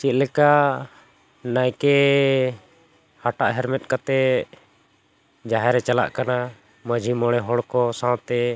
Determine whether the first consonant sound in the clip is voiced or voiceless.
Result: voiceless